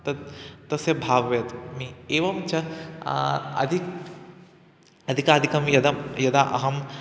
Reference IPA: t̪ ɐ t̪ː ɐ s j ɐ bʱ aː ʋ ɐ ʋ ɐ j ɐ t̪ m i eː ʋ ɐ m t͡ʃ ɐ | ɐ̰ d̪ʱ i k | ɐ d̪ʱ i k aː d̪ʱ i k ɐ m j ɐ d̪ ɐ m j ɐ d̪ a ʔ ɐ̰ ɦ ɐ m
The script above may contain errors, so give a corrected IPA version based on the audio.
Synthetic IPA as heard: t̪ ɐ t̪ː ɐ s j ɐ bʱ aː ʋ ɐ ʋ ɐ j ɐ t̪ m i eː ʋ ɐ m t͡ʃ ɐ | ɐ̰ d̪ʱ i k | ɐ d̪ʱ i k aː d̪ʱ i k ɐ m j ɐ d̪ ɐ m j ɐ d̪ a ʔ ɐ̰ ɦ ɐ m